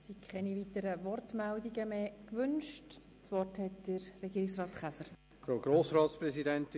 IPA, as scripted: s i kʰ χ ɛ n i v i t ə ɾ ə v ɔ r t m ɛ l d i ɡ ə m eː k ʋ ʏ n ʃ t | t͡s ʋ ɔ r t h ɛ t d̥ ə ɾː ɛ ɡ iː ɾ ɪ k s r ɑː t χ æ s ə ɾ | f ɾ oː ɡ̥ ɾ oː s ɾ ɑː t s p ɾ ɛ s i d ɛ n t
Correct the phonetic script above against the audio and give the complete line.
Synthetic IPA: s i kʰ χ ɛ n i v i t ə ɾ ə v ɔ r t m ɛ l d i ɡ ə m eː k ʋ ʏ n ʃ t | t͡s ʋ ɔ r t h ɛ t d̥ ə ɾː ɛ ɡ iː ɾ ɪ k s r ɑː t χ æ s ə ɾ | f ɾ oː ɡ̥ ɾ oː s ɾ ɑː t s p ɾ ɛ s i d ɛ n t